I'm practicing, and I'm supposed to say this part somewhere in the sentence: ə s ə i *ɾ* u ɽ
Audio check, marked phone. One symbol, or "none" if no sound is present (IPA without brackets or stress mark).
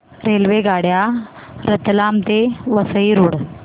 ɾ